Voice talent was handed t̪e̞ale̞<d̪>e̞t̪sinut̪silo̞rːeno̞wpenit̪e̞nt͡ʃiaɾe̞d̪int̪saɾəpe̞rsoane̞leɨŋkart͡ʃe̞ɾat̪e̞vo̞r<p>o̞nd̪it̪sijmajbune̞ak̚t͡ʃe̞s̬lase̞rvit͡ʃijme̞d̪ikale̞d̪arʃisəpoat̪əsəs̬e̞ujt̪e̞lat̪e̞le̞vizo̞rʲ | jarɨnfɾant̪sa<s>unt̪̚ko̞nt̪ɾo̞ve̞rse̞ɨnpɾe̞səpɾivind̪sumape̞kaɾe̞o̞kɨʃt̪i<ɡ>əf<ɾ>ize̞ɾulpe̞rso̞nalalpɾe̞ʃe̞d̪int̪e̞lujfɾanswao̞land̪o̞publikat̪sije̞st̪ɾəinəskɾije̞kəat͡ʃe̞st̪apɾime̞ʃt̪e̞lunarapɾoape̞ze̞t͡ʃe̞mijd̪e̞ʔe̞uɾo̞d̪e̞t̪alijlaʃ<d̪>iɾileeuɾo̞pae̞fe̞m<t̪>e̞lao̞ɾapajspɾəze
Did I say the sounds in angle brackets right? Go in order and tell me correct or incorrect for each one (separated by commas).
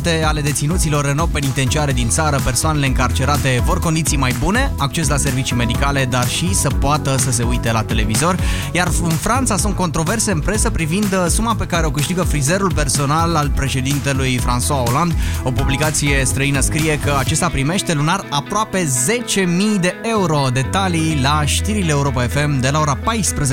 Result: correct, incorrect, correct, correct, correct, incorrect, incorrect